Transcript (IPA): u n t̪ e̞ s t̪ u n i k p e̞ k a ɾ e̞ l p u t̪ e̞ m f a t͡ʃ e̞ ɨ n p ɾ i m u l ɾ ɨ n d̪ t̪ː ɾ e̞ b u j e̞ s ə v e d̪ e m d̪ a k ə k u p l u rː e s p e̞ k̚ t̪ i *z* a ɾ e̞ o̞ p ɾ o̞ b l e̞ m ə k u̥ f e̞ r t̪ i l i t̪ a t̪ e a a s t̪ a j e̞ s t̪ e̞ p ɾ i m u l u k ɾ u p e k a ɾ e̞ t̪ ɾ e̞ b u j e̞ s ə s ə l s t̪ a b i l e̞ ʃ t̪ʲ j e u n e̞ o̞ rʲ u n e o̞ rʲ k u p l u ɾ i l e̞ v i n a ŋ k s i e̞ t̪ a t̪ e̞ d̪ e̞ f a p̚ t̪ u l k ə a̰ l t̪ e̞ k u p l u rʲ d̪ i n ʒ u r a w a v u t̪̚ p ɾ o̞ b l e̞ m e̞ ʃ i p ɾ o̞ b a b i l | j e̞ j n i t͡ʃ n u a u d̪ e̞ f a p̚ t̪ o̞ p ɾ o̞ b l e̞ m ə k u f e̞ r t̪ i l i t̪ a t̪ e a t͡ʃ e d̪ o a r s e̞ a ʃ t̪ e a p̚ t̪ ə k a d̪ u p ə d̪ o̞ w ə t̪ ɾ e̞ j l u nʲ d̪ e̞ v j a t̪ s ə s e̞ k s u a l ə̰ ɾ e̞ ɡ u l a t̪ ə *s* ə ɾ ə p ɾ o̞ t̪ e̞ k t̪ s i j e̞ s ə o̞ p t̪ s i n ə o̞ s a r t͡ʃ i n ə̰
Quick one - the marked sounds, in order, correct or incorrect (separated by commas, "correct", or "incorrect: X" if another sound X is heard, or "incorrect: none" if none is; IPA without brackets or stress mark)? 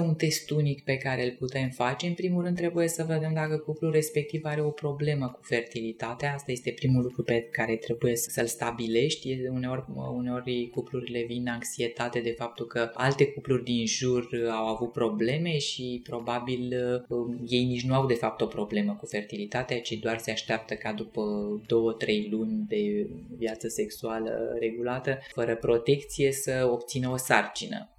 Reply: incorrect: v, incorrect: f